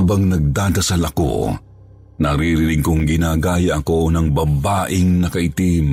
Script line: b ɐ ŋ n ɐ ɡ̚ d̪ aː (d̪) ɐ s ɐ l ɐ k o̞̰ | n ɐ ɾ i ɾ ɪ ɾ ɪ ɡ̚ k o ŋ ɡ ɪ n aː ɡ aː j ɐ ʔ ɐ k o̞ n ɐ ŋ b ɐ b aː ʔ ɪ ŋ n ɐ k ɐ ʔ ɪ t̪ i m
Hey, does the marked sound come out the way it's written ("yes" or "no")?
yes